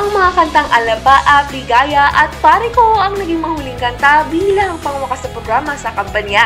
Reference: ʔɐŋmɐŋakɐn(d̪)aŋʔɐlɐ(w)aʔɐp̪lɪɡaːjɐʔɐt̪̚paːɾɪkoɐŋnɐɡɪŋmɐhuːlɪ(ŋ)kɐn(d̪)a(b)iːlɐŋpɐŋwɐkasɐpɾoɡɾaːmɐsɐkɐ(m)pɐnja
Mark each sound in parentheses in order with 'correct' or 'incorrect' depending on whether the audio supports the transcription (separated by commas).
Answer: incorrect, incorrect, correct, incorrect, correct, correct